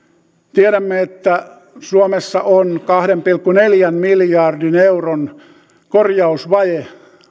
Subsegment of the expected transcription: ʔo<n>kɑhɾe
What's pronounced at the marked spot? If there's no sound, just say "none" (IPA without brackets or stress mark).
n